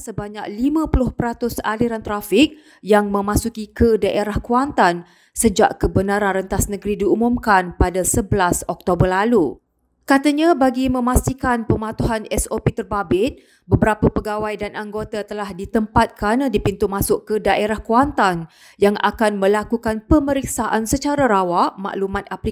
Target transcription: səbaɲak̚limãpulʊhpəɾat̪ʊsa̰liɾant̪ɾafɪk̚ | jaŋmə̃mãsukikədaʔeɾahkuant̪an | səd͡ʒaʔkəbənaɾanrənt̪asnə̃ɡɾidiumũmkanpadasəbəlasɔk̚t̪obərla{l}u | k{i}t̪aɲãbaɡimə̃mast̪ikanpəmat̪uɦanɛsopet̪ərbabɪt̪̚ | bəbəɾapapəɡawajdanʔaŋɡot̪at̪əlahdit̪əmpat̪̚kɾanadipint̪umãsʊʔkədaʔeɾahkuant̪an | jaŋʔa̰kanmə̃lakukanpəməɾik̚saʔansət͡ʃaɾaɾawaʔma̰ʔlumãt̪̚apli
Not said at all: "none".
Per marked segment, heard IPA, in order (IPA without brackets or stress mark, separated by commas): l, a